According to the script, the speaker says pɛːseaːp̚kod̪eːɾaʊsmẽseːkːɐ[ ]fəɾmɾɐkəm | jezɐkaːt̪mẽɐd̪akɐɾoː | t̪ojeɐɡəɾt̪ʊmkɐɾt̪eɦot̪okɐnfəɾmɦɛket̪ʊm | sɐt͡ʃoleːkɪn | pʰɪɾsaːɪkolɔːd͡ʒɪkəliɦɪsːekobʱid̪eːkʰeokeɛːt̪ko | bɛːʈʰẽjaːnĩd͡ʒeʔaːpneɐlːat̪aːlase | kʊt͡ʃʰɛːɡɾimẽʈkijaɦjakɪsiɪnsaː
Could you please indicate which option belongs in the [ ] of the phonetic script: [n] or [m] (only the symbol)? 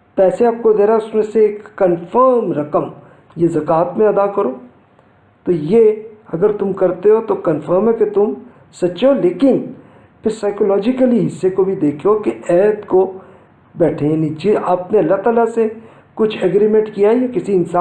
n